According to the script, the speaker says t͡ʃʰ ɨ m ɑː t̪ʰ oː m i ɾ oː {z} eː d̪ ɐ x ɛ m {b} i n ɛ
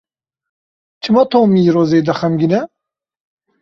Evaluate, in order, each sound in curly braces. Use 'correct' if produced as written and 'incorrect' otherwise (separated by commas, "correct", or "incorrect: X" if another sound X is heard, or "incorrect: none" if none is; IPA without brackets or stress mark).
correct, incorrect: ɡ